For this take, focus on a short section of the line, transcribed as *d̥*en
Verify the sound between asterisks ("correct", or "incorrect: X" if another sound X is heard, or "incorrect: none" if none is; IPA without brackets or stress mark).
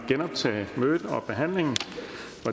incorrect: ɡ̥